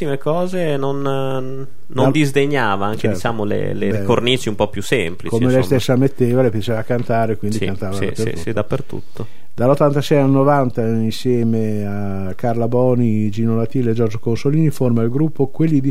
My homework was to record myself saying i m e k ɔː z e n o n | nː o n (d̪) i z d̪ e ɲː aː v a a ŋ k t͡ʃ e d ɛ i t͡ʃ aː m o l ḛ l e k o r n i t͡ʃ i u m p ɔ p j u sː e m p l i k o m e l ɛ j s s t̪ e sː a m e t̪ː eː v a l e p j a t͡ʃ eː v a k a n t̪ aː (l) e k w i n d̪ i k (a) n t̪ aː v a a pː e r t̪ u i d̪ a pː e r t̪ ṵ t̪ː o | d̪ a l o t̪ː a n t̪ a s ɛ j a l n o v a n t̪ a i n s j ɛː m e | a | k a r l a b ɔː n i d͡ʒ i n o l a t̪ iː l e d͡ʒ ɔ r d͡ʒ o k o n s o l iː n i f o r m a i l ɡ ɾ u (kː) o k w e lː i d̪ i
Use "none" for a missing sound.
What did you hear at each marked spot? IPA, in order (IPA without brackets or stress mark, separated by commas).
d̪, ɾ, a, pː